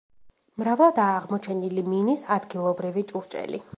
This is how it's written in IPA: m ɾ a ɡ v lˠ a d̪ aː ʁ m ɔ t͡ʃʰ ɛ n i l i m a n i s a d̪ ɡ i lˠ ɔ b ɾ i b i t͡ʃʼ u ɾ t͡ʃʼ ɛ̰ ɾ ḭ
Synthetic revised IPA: m ɾ a v lˠ a d̪ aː ʁ m ɔ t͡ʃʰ ɛ n i l i m i n i s a d̪ ɡ i lˠ ɔ b ɾ i v i t͡ʃʼ u ɾ t͡ʃʼ ɛ̰ l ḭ